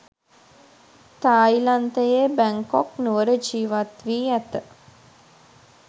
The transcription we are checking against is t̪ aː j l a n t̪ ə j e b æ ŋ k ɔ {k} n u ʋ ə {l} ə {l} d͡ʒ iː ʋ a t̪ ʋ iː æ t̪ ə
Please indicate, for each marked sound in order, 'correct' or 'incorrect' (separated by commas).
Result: correct, incorrect, incorrect